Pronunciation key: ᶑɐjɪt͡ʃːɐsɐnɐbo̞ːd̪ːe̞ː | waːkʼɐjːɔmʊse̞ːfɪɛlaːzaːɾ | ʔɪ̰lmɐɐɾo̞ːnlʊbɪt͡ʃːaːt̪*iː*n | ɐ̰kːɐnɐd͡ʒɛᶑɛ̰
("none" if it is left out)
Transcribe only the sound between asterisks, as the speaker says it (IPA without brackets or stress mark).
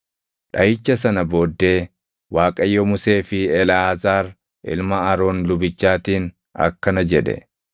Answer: iː